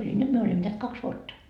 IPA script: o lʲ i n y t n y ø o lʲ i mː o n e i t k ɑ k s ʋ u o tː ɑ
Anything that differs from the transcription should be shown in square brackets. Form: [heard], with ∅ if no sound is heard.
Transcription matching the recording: o lʲ i n y t [m] y ø o lʲ i mː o n e [æ] t k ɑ k s ʋ u o tː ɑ